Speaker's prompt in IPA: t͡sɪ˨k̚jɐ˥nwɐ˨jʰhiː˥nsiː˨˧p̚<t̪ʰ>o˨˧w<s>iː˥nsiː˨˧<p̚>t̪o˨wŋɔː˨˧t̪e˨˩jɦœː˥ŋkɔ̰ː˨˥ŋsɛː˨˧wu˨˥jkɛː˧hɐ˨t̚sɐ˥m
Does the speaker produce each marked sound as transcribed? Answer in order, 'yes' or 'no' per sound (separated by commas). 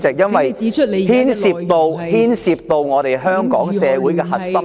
no, no, yes